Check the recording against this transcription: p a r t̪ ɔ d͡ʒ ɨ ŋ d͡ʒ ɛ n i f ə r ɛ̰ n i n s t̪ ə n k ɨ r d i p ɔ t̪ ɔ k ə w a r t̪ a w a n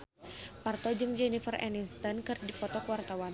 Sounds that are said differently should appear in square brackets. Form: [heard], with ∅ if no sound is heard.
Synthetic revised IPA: p a r t̪ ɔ d͡ʒ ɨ ŋ d͡ʒ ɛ n i f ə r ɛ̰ n i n s t̪ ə n k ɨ r d i p ɔ t̪ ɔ k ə w a r t̪ a w a n